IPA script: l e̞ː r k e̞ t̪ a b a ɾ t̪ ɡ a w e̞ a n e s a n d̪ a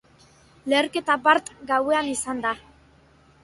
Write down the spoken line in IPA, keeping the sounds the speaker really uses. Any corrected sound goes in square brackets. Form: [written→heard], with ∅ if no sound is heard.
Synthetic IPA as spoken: l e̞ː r k e̞ t̪ a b a ɾ t̪ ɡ a w e̞ a n [e→i] s a n d̪ a